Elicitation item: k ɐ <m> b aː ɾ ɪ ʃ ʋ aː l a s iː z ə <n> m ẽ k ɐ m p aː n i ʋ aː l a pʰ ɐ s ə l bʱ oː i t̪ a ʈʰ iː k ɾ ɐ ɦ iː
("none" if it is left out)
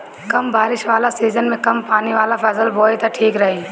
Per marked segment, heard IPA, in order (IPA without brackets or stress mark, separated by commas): m, n